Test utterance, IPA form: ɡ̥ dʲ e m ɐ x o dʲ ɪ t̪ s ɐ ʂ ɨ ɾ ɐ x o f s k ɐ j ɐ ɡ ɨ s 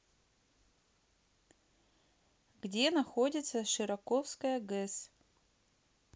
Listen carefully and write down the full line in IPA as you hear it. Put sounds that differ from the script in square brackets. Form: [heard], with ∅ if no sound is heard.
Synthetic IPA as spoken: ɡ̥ dʲ e [n] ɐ x o dʲ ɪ t̪ s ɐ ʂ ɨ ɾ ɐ [k] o f s k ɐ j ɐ ɡ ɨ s